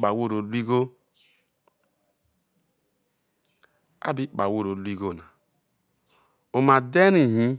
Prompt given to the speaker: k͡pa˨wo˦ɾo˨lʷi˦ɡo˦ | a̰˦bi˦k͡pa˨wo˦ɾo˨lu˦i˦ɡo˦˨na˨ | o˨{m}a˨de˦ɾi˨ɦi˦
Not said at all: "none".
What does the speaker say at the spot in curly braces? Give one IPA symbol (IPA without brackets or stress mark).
m